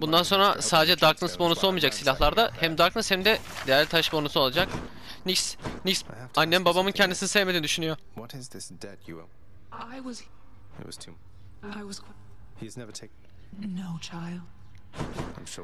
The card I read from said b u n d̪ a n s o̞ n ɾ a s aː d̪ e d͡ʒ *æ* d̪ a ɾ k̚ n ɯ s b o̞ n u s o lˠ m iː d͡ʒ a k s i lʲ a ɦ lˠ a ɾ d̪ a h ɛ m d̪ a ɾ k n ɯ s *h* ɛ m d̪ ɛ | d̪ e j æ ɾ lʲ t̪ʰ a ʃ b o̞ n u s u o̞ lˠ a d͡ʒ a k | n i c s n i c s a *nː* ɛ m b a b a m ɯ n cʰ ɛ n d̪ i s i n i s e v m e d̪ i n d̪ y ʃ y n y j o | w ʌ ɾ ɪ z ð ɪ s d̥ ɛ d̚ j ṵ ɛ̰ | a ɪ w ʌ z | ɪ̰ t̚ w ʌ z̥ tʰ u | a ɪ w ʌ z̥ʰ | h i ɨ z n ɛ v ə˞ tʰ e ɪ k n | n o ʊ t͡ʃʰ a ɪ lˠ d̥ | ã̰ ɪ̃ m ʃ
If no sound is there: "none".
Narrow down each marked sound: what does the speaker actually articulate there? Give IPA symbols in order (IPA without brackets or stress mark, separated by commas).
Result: ɛ, h, nː